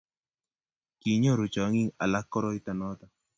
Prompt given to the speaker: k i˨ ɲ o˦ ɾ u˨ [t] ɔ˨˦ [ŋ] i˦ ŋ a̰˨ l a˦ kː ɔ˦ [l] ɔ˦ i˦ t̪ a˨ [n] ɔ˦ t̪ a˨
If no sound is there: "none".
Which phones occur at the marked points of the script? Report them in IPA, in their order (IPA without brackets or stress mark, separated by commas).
t͡ʃ, ŋ, ɾ, n